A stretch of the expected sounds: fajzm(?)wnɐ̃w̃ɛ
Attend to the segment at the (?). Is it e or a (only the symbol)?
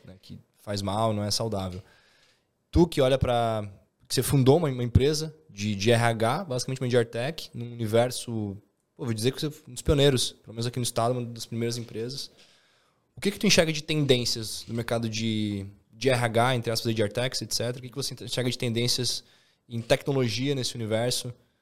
a